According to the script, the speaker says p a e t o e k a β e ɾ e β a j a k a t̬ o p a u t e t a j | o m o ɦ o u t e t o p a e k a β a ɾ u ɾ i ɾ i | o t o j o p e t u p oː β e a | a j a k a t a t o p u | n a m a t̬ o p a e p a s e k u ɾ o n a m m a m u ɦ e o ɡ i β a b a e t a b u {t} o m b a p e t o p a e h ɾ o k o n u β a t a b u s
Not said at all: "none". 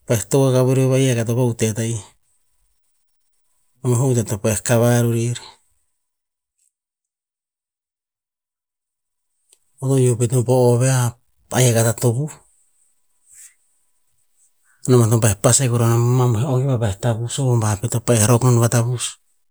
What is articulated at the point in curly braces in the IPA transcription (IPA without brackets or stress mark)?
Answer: s